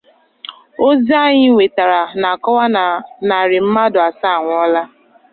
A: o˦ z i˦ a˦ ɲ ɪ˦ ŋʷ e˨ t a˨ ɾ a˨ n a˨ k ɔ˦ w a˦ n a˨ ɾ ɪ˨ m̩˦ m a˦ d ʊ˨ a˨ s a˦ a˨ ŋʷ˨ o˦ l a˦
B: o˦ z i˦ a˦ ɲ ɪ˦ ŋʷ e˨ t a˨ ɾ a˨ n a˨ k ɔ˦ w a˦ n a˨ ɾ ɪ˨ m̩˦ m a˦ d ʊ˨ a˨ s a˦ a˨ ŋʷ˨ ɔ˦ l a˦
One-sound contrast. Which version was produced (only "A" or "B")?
B